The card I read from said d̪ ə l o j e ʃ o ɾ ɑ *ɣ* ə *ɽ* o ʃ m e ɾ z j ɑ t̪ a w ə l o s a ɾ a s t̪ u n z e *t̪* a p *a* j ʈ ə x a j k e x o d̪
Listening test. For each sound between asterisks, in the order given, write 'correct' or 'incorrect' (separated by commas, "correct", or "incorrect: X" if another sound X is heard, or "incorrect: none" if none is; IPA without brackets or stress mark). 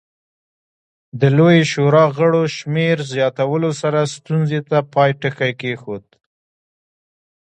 correct, correct, correct, incorrect: ɑ